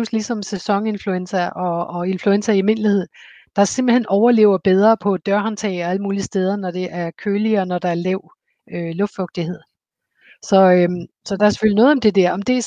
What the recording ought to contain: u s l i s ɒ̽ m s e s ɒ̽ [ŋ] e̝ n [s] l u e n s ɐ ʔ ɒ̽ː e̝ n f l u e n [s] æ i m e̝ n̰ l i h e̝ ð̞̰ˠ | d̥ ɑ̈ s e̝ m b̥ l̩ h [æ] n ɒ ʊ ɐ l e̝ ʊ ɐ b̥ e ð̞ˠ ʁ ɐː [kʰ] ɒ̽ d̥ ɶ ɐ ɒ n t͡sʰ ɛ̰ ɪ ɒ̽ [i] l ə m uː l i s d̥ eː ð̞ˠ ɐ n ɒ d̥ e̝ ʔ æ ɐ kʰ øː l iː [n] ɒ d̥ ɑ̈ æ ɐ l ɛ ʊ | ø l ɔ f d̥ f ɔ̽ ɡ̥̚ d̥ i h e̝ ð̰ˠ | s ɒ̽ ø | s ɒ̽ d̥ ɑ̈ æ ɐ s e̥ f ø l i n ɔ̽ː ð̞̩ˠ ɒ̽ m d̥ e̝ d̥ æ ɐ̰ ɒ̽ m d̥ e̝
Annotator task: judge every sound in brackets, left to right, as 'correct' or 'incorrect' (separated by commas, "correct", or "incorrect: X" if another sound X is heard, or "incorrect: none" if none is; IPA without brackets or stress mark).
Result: correct, incorrect: f, correct, incorrect: e, incorrect: pʰ, incorrect: æ, correct